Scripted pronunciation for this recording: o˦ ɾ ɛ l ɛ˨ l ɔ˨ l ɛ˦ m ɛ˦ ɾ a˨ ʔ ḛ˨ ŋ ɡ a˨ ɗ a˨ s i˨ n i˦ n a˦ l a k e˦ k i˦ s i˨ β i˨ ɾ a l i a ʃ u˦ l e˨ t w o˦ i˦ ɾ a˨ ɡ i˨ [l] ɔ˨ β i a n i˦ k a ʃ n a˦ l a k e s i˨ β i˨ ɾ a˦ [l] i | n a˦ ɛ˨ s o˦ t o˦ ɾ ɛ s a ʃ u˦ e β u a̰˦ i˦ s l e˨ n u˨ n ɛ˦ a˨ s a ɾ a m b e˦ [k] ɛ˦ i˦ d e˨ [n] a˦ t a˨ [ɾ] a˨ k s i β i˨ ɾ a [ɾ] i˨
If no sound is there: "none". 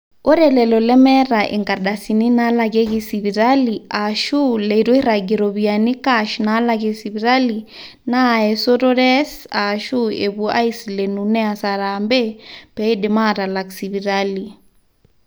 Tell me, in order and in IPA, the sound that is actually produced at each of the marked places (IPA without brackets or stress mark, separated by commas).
ɾ, l, p, m, l, l